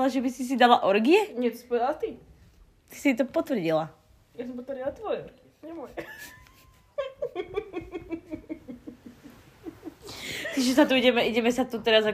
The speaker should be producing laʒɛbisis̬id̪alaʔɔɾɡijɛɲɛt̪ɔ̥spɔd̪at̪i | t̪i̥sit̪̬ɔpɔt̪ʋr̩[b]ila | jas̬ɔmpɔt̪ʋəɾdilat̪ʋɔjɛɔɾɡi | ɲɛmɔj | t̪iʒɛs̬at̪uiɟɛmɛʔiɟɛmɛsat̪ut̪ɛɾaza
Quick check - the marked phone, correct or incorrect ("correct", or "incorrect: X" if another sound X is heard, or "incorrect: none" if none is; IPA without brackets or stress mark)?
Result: incorrect: ɟ